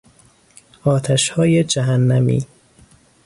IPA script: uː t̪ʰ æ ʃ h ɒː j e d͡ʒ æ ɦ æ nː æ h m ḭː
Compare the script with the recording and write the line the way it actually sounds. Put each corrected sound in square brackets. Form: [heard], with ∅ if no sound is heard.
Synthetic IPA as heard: [ɒː] t̪ʰ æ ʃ h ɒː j e d͡ʒ æ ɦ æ nː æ [∅] m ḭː